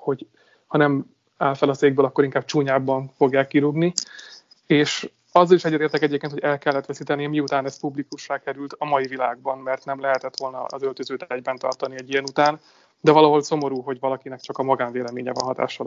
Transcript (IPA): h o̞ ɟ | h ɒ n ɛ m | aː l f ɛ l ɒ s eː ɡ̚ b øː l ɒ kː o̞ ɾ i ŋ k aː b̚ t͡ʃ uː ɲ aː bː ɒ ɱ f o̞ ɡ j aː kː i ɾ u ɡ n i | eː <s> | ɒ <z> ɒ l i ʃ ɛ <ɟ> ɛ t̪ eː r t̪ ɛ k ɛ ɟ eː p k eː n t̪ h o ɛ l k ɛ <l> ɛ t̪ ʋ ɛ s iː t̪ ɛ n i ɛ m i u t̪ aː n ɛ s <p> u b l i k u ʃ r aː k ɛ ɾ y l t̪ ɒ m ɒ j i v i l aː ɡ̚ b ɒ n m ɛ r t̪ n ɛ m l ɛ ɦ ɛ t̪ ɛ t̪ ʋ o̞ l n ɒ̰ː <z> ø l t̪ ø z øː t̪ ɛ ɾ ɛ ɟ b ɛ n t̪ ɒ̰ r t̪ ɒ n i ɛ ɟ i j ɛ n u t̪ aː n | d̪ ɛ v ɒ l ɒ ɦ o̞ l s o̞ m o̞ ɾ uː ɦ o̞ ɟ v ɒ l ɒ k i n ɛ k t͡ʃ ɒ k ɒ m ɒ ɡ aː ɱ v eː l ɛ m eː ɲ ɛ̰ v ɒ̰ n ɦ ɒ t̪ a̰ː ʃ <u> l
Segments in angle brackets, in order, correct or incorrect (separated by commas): incorrect, incorrect, incorrect, incorrect, correct, correct, incorrect